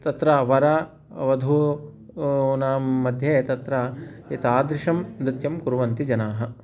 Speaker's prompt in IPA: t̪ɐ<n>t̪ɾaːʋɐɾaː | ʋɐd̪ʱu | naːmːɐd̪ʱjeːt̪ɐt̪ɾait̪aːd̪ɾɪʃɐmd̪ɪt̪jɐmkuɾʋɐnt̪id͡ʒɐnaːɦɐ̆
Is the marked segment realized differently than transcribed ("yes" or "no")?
yes